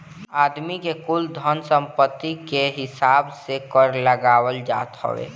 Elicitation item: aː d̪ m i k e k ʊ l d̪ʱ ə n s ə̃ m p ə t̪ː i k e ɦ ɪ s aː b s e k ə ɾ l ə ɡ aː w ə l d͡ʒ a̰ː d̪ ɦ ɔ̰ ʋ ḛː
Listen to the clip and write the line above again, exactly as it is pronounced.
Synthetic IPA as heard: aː d̪ m i k e k ʊ l d̪ʱ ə n s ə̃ m p ə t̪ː i k e ɦ ɪ s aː b s e k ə ɾ l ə ɡ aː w ə l d͡ʒ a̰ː t̪ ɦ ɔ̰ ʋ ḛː